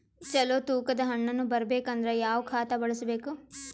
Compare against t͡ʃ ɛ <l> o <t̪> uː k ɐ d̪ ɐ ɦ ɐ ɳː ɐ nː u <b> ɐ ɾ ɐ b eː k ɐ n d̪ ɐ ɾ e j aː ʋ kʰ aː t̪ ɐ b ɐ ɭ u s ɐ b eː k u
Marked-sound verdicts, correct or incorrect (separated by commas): correct, correct, correct